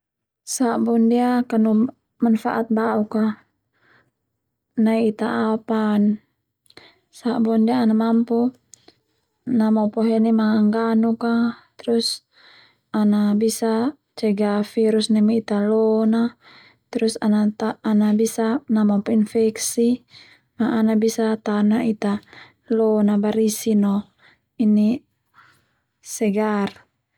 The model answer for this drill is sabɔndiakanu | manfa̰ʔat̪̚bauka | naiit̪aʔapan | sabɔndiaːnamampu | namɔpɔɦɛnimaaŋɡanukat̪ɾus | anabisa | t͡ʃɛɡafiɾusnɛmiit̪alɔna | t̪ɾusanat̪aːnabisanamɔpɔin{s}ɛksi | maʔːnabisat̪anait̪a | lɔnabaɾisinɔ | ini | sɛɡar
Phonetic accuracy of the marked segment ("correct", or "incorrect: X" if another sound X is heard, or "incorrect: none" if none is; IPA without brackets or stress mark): incorrect: f